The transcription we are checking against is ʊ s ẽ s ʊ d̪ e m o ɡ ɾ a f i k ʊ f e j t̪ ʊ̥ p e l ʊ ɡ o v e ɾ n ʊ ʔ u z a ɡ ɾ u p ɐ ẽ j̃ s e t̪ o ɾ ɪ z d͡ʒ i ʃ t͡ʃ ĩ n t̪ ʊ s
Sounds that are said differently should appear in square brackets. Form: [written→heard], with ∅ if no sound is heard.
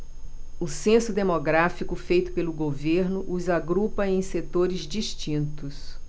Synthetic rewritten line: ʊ s ẽ s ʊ d̪ e m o ɡ ɾ a f i k ʊ f e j t̪ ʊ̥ p e l ʊ ɡ o v e ɾ n ʊ ʔ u z a ɡ ɾ u p ɐ ẽ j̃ s e t̪ o ɾ ɪ z d͡ʒ i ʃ t͡ʃ ĩ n t̪ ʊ s